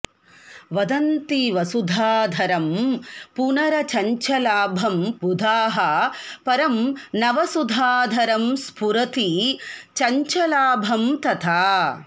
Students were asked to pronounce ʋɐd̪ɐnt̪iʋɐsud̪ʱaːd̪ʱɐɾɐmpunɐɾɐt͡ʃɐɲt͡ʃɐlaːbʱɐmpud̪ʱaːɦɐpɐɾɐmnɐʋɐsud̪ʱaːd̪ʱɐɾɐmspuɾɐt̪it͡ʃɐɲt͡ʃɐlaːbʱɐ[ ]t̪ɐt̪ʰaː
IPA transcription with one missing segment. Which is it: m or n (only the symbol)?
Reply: m